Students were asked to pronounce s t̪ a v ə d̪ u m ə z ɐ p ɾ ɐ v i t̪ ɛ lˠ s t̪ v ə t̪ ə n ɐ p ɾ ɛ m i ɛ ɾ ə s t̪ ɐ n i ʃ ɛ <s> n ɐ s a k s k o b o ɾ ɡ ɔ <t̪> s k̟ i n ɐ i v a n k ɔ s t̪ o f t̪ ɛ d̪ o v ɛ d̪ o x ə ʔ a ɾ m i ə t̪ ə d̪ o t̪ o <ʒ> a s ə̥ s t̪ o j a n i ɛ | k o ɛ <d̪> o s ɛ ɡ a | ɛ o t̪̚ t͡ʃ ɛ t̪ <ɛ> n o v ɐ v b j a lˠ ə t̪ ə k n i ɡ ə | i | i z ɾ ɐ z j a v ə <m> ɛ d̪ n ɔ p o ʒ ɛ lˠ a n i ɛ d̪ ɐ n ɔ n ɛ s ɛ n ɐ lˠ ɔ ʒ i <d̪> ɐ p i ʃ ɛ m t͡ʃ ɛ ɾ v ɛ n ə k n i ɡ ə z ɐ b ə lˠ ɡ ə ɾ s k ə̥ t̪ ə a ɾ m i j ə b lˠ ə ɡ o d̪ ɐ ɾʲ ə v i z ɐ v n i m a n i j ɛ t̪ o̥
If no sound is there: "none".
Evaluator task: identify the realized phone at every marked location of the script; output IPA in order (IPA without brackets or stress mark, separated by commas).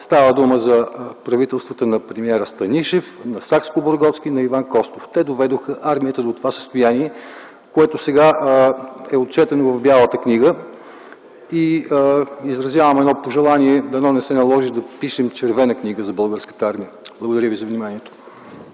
f, t̪, v, t̪, ɛ, m, d̪